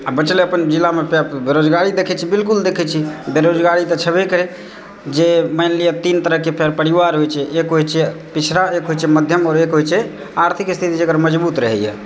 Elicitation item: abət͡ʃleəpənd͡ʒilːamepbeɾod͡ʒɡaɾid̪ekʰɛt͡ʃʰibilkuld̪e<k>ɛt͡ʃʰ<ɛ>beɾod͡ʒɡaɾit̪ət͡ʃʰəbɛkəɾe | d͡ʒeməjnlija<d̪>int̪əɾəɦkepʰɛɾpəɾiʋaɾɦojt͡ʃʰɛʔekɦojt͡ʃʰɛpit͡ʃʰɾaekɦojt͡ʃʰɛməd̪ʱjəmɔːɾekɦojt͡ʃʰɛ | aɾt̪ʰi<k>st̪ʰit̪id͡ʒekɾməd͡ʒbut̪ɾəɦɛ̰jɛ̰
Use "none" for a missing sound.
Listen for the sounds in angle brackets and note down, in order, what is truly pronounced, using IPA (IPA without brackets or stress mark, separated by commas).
kʰ, i, t̪, k